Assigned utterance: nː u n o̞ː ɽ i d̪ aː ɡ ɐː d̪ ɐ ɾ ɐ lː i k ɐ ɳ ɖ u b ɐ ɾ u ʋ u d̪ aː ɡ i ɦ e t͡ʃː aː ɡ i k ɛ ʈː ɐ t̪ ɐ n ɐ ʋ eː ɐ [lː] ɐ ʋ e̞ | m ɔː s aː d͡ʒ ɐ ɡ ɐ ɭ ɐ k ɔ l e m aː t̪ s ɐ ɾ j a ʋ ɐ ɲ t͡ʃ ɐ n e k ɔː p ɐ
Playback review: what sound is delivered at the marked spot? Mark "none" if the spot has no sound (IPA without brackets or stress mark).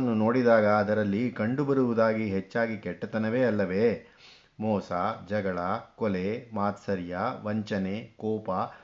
lː